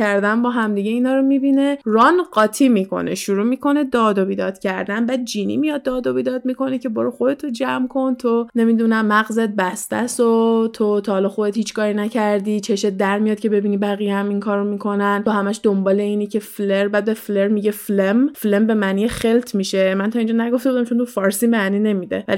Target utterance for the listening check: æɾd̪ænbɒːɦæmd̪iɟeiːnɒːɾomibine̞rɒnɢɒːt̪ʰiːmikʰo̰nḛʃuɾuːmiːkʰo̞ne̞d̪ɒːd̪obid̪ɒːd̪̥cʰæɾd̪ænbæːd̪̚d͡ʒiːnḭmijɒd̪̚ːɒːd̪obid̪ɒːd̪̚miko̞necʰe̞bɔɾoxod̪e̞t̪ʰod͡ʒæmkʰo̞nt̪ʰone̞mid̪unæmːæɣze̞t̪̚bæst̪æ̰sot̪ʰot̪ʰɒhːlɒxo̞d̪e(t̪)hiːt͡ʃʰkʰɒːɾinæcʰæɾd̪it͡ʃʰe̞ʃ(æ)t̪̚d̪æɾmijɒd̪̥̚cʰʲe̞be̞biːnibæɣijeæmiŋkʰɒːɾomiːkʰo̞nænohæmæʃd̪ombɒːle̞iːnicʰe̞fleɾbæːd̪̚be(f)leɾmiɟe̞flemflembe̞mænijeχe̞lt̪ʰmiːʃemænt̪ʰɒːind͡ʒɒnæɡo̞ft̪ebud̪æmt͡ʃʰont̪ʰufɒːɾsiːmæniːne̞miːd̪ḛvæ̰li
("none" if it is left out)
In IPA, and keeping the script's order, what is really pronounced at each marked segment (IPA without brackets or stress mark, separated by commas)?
t̪, e, f